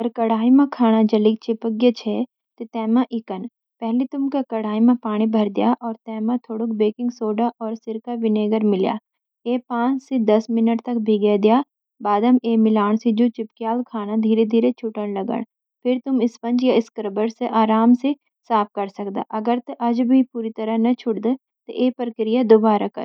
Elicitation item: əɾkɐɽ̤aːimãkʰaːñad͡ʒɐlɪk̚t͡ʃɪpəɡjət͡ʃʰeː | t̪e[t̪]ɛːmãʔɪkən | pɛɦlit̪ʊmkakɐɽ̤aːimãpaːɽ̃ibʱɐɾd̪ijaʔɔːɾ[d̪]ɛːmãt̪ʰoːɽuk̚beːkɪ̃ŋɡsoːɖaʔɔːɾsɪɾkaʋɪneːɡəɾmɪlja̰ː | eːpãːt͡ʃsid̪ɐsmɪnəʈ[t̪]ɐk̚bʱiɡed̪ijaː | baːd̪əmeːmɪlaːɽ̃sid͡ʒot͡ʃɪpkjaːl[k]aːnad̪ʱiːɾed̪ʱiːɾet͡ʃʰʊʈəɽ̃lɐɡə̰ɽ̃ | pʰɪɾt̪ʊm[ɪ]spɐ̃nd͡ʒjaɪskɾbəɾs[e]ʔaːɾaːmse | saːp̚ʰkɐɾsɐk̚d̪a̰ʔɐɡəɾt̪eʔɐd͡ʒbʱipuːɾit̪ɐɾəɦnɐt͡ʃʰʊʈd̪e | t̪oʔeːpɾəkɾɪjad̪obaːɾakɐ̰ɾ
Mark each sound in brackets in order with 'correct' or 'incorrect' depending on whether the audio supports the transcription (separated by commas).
correct, incorrect, correct, incorrect, correct, correct